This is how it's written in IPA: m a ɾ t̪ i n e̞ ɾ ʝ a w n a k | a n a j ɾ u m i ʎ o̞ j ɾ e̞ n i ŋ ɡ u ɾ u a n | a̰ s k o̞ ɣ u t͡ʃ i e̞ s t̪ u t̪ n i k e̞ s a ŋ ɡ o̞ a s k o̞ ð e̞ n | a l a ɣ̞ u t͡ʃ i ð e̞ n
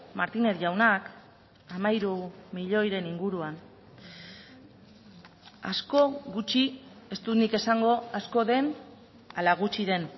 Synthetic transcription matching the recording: m a ɾ t̪ i n e̞ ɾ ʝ a w n a k | a m a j ɾ u m i ʎ o̞ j ɾ e̞ n i ŋ ɡ u ɾ u a n | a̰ s k o̞ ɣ u t͡ʃ i e̞ s t̪ u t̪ n i k e̞ s a ŋ ɡ o̞ a s k o̞ ð e̞ n | a l a ɣ̞ u t͡ʃ i ð e̞ n